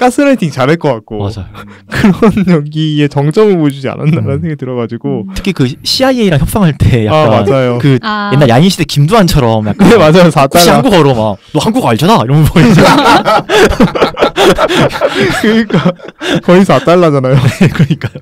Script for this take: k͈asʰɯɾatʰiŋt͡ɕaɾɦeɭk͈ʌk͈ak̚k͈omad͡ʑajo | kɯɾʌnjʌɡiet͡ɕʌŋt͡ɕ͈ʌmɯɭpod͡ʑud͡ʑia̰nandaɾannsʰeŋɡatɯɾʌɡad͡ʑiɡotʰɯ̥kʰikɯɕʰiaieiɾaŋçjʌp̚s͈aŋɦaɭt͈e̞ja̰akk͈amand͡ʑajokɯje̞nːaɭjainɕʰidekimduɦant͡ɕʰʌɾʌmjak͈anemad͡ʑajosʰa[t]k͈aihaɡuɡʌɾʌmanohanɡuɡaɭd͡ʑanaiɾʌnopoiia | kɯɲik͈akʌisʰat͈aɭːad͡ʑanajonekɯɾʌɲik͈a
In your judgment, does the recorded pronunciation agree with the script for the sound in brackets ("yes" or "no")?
yes